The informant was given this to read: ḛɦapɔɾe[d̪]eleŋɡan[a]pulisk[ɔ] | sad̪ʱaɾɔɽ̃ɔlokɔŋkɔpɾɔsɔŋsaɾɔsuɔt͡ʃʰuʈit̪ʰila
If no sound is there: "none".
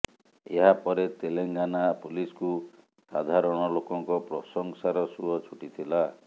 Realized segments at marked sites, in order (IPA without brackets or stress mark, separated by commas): t̪, a, u